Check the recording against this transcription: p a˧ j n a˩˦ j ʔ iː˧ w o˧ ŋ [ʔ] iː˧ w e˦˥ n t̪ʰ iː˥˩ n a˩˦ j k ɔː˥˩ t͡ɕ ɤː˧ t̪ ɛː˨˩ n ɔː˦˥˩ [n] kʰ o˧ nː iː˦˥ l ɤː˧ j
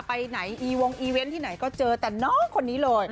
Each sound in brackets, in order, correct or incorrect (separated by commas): correct, incorrect